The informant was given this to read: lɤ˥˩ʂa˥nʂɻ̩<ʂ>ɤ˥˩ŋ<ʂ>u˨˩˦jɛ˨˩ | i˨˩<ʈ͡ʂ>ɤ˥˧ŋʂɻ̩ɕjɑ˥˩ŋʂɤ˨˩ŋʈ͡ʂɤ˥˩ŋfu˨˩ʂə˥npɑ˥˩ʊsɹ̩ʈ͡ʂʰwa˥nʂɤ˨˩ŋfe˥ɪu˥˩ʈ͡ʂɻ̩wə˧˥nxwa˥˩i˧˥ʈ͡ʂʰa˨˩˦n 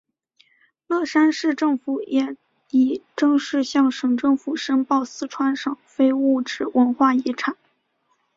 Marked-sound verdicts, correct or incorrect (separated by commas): incorrect, incorrect, correct